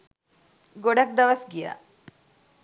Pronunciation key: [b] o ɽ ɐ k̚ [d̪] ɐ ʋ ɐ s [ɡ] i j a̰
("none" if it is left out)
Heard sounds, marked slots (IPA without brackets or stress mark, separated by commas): ɡ, d̪, ɡ